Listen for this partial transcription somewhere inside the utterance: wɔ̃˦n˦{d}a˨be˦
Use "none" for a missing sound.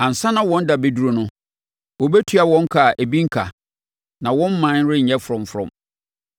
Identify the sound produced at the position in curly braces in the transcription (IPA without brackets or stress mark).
d